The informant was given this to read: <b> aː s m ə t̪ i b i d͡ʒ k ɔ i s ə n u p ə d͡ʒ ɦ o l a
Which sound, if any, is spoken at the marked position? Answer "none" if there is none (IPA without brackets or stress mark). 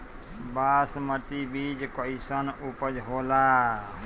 b